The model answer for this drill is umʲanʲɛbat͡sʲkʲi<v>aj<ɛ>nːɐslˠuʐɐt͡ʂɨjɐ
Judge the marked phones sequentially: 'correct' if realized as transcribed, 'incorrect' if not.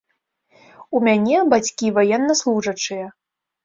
correct, correct

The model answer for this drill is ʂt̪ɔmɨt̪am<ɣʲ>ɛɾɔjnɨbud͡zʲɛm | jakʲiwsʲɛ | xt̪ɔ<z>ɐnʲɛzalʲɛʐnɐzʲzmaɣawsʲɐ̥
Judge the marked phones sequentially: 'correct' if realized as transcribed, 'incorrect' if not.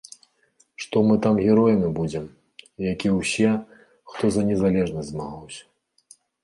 correct, correct

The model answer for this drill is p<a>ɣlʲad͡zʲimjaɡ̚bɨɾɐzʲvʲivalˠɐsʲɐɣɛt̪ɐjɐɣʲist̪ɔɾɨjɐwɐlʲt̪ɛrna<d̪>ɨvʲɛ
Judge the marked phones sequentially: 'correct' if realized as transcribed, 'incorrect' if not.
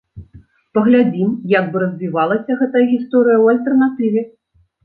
incorrect: ɐ, incorrect: t̪

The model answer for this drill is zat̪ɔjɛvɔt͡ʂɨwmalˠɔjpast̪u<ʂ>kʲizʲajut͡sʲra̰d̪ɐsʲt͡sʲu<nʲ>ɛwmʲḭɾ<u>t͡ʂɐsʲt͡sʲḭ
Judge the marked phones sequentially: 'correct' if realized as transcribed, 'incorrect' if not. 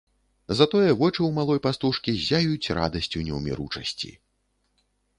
correct, correct, correct

